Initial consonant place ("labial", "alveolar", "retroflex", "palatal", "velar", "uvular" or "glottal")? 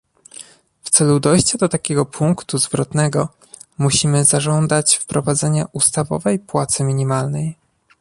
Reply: labial